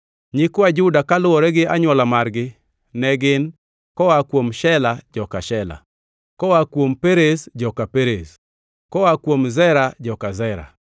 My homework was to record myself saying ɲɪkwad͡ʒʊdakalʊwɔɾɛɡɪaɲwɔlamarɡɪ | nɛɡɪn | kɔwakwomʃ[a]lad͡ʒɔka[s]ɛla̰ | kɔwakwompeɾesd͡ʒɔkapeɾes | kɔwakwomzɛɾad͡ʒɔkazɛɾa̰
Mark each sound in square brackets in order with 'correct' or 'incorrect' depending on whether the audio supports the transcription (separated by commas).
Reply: incorrect, incorrect